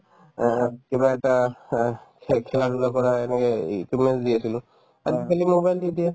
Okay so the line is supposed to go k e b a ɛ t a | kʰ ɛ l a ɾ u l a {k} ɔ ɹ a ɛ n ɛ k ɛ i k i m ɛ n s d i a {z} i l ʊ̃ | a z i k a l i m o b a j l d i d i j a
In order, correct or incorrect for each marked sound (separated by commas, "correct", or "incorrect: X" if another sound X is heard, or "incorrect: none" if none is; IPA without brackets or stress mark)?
correct, incorrect: s